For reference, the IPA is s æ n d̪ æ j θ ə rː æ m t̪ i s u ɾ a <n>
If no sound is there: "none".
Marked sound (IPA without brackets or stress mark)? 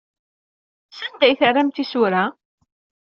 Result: none